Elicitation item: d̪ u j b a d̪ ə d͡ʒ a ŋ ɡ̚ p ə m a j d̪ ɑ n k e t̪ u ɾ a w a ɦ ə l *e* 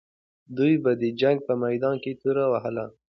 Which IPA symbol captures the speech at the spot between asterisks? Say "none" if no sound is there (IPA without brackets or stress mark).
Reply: a